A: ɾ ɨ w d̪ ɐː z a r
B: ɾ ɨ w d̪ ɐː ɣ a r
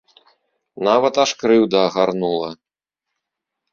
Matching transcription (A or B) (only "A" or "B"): B